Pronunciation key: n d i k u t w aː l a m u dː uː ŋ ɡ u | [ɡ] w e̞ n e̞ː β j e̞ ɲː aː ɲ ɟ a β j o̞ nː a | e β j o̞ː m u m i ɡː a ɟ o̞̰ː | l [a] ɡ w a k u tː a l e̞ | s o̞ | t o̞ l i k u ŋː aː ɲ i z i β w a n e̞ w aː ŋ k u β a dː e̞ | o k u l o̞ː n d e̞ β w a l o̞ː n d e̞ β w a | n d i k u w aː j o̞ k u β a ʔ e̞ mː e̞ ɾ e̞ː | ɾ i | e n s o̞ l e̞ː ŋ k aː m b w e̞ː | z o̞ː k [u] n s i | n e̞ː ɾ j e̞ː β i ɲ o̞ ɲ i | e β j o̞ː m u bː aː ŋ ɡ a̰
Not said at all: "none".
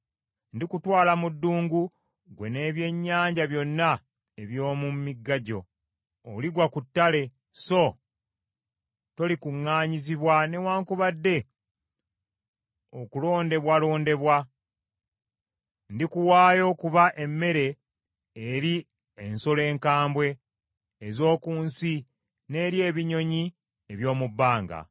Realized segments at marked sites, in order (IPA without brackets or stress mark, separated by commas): ɡ, i, uː